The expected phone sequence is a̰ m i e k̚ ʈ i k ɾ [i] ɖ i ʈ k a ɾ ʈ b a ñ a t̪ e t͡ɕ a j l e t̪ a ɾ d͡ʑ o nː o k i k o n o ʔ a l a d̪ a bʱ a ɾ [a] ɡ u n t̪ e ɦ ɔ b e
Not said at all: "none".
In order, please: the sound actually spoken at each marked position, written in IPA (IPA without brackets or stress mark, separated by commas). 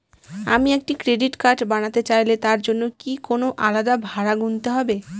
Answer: e, a